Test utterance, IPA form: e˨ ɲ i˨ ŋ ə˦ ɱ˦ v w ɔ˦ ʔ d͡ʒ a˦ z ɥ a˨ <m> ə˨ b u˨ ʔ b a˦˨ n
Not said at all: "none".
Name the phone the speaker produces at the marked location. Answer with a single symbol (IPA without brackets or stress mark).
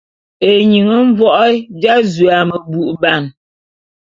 m